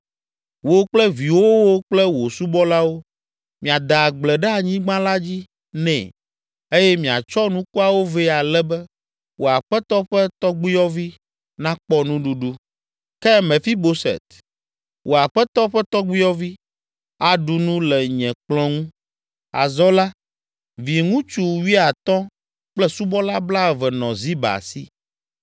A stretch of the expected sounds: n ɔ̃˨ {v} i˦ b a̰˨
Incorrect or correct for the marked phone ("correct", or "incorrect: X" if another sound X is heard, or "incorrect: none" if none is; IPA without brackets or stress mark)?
incorrect: z